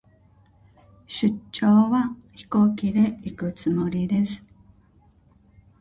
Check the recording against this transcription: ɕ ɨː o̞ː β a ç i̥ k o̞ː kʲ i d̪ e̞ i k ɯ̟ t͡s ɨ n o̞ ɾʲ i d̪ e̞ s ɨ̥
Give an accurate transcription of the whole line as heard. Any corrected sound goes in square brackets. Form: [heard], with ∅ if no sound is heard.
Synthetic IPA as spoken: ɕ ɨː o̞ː β a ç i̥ k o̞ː kʲ i d̪ e̞ i k ɯ̟ t͡s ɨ [m] o̞ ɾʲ i d̪ e̞ s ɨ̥